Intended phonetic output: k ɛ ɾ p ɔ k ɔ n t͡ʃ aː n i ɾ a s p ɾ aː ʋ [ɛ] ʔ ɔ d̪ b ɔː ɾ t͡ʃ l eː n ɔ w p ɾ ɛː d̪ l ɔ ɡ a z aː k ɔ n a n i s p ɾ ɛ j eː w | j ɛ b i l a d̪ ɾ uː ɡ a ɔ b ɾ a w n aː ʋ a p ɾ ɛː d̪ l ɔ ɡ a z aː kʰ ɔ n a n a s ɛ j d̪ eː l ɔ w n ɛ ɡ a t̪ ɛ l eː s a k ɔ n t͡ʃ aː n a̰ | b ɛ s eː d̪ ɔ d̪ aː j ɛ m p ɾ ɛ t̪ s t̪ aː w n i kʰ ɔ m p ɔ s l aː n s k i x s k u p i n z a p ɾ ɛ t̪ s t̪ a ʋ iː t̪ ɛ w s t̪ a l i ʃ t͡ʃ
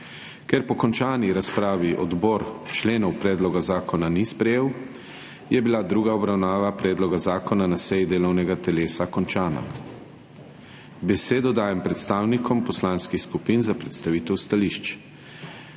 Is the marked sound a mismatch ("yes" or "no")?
yes